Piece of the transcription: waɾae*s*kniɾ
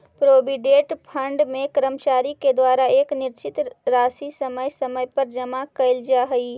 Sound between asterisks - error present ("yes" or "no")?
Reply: yes